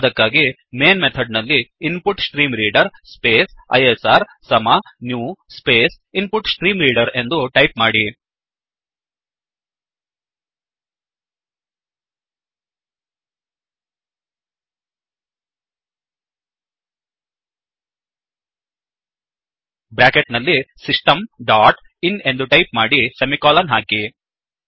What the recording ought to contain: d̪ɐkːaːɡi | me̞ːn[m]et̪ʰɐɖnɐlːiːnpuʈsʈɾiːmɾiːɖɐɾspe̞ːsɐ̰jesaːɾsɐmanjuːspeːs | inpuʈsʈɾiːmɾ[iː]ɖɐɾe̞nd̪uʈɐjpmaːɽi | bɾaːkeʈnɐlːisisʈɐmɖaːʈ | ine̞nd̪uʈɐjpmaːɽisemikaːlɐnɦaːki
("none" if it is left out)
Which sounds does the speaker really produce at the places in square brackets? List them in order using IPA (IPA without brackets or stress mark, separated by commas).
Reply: m, iː